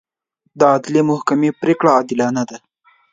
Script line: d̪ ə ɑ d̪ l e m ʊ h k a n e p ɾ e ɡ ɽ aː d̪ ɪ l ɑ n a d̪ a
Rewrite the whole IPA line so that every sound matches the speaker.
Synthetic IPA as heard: d̪ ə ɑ d̪ l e m ʊ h k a m e p ɾ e k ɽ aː d̪ ɪ l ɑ n a d̪ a